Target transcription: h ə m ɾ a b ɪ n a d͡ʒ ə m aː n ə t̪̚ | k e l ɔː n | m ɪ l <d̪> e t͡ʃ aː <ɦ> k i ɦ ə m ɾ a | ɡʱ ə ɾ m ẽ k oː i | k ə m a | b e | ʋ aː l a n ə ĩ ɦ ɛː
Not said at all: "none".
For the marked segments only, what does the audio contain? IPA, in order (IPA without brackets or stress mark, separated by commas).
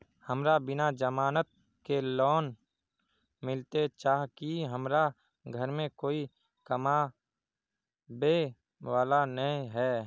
t̪, ɦ